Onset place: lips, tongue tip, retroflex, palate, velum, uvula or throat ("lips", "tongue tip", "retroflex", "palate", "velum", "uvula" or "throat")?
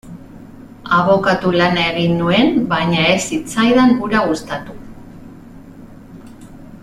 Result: lips